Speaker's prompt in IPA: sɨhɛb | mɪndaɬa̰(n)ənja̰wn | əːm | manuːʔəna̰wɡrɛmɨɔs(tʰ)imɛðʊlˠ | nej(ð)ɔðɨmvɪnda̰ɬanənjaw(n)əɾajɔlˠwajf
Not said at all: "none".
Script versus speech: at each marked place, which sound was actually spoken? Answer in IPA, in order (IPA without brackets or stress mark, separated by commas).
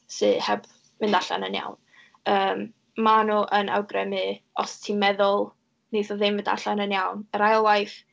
n, tʰ, θ, n